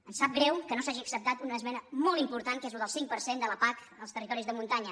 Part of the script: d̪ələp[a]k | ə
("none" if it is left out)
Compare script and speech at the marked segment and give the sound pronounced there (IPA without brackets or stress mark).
a